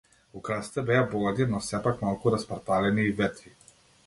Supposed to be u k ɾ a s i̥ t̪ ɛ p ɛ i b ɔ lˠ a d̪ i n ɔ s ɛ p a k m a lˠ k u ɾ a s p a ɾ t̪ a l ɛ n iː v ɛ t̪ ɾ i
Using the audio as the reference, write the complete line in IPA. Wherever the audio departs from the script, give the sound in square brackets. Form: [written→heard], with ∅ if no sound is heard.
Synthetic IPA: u k ɾ a s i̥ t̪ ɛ [p→b] ɛ [i→a] b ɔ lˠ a d̪ i n ɔ s ɛ p a k m a lˠ k u ɾ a s p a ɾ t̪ a l ɛ n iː v ɛ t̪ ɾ i